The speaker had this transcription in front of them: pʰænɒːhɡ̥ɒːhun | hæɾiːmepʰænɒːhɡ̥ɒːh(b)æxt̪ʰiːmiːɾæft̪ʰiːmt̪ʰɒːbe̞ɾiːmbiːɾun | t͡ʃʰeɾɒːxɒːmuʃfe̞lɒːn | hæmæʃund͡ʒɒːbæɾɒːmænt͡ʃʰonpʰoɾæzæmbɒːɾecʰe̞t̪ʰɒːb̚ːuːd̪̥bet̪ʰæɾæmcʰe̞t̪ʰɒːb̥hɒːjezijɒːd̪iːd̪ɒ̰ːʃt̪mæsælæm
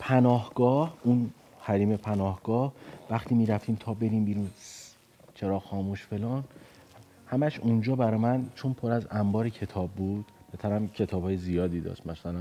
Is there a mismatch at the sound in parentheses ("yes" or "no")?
yes